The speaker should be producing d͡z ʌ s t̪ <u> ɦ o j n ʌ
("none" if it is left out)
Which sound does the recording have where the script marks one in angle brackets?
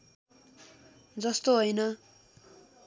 o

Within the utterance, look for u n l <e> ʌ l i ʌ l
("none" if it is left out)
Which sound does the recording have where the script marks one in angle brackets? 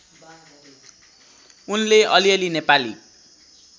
e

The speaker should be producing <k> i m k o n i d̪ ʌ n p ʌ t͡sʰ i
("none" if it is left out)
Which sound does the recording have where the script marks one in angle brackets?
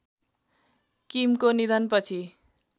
k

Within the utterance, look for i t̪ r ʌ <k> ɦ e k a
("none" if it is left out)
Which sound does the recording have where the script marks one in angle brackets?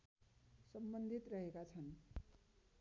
none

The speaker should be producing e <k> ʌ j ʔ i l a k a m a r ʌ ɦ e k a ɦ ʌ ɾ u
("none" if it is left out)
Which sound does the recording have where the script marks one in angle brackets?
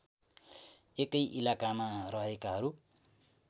k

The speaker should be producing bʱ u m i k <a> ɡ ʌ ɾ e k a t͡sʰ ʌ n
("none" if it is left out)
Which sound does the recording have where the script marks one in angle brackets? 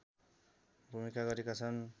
a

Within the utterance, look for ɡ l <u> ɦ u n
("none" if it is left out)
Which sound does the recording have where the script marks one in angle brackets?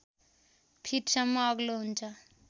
o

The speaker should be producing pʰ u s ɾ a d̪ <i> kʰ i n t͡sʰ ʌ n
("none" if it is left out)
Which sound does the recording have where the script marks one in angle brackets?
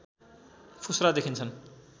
e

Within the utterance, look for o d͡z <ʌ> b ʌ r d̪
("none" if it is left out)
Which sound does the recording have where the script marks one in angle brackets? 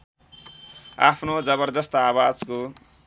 ʌ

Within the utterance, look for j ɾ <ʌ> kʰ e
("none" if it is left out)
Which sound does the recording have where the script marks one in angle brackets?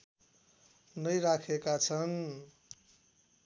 a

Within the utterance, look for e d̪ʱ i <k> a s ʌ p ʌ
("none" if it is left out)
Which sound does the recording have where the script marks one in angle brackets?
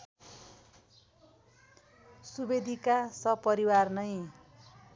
k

